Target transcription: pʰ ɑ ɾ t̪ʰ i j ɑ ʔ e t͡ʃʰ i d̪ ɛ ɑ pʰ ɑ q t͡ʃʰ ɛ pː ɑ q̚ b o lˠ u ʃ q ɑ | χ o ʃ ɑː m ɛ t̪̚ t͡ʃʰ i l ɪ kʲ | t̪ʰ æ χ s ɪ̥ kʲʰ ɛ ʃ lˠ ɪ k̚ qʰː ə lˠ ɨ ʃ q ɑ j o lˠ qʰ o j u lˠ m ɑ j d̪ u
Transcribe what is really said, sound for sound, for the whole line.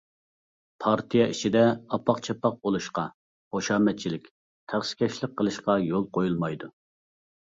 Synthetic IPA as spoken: pʰ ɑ ɾ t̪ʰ i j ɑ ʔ i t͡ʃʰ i d̪ ɛ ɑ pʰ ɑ q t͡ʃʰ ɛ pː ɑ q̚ b o lˠ u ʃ q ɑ | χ o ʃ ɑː m ɛ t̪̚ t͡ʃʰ i l ɪ kʲ | t̪ʰ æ χ s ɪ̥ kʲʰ ɛ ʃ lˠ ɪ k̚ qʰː ə lˠ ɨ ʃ q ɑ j o lˠ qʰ o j u lˠ m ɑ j d̪ u

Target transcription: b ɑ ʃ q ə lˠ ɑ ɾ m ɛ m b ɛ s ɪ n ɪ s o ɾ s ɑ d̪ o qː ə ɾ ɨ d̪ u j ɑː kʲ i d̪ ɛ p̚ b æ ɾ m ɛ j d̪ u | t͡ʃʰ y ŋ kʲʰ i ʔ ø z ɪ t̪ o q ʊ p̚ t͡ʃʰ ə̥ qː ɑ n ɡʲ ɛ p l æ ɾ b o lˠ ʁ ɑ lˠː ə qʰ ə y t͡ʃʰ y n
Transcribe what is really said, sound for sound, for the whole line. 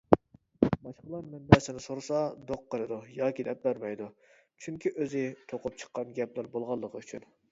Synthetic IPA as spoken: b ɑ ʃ q ə lˠ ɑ ɾ m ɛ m b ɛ s ɪ n ɪ s o ɾ s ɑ d̪ o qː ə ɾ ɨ d̪ u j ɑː kʲ i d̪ ɛ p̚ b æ ɾ m ɛ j d̪ u | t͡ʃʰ y ŋ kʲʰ i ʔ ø z ɪ t̪ʰ o q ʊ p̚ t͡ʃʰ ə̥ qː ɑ n ɡʲ ɛ p l æ ɾ b o lˠ ʁ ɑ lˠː ə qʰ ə y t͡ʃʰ y n

